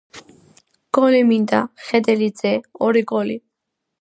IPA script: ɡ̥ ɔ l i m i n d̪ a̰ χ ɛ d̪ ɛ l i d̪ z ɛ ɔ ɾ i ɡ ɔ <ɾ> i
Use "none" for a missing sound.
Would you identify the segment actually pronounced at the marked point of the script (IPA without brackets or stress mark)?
l